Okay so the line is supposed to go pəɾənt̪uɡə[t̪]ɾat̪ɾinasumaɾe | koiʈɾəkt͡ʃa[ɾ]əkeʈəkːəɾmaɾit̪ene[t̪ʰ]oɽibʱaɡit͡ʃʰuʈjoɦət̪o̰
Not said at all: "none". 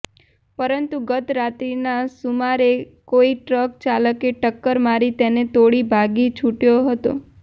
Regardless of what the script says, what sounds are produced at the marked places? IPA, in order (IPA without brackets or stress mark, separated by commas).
t̪, l, t̪